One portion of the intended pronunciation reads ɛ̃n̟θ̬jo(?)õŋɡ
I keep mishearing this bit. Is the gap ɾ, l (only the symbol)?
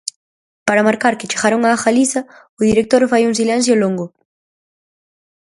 l